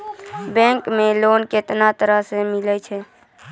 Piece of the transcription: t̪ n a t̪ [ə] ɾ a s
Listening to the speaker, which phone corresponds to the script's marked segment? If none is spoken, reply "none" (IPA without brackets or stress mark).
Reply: ə